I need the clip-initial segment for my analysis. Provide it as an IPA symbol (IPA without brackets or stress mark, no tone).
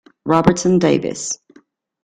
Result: ɹ